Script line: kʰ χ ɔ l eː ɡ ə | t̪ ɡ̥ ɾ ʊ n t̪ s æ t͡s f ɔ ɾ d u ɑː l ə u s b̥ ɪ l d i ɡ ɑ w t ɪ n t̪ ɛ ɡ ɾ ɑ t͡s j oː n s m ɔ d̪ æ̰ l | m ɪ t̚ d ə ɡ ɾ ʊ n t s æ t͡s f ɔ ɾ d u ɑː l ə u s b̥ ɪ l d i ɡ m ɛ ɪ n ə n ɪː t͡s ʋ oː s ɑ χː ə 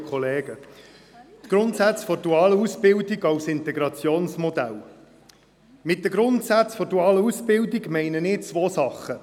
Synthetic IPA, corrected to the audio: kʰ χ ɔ l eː ɡ ə | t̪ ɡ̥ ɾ ʊ n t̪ s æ t͡s f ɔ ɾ d u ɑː l ə u s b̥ ɪ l d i ɡ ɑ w s ɪ n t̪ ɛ ɡ ɾ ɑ t͡s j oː n s m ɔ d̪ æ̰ l | m ɪ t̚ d ə ɡ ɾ ʊ n t s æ t͡s f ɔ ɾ d u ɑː l ə u s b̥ ɪ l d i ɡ m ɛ ɪ n ə n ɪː t͡s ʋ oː s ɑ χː ə